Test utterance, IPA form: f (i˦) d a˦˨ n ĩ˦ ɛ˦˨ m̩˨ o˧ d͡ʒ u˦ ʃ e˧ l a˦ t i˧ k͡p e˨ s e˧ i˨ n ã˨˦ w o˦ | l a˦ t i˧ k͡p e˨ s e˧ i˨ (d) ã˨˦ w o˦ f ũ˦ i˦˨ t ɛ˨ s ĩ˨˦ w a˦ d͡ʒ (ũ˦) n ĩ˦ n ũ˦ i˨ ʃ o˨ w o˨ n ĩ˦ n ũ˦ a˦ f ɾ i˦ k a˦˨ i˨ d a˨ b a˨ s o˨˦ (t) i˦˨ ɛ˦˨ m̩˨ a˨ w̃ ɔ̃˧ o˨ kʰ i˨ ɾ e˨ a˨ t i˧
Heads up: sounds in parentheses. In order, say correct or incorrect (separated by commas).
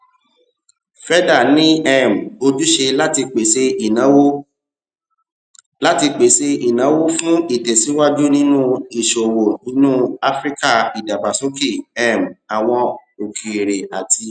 incorrect, incorrect, incorrect, incorrect